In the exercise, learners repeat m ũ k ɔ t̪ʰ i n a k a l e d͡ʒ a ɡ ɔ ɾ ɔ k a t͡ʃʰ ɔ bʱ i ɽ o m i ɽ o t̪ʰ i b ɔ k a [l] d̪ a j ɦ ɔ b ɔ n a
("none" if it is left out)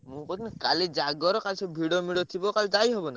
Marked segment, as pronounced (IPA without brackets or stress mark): l